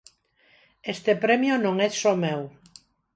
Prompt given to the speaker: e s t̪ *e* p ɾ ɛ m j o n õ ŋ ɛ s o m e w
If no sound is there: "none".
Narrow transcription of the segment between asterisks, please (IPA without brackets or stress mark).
e